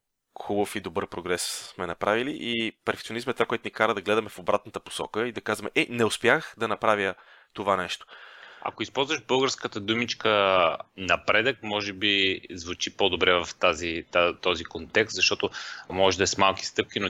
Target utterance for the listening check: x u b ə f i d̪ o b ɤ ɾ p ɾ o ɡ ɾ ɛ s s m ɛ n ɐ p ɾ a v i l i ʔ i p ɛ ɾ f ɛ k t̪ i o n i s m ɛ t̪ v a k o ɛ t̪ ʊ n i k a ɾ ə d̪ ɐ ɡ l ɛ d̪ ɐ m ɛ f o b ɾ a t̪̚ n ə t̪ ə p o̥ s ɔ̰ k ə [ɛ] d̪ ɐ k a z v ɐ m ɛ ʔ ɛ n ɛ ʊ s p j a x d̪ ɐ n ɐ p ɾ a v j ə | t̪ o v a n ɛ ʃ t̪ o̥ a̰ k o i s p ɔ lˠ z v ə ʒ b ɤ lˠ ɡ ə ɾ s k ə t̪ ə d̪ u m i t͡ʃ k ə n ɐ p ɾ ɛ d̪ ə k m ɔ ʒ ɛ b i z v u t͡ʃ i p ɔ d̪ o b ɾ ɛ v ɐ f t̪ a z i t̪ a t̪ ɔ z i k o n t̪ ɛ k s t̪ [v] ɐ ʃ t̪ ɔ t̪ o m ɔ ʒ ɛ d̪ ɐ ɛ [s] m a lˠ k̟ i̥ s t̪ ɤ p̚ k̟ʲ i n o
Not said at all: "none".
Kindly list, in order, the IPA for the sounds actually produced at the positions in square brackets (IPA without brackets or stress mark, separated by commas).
i, z, s